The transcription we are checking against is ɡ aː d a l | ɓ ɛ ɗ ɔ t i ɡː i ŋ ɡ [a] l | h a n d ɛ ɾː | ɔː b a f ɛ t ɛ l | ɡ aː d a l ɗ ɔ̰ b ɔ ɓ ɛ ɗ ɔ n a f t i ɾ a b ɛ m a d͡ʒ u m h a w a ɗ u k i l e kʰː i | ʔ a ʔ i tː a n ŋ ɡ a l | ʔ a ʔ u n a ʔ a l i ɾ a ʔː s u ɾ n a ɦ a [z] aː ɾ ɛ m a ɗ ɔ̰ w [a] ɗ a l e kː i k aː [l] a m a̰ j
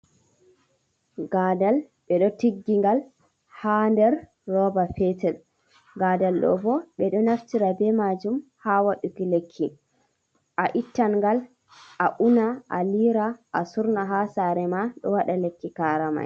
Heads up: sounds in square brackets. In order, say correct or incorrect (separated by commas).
correct, incorrect, correct, incorrect